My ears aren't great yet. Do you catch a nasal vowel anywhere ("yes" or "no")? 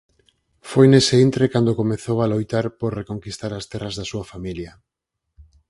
no